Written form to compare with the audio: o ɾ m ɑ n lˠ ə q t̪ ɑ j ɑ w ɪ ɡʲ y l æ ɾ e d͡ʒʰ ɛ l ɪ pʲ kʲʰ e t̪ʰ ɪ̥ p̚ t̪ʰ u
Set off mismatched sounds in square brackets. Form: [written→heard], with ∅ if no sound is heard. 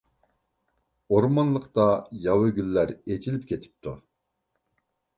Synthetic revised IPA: o ɾ m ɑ n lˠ ə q t̪ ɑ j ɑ w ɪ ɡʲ y [l→lː] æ ɾ e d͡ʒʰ [ɛ→i] l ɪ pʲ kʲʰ e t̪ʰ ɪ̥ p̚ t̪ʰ u